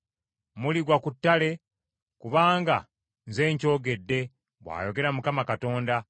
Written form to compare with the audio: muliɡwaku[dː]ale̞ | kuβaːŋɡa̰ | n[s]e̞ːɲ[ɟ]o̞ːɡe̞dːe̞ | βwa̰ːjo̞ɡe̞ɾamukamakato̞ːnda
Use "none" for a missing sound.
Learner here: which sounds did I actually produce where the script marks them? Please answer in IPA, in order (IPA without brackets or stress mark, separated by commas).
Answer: tː, z, c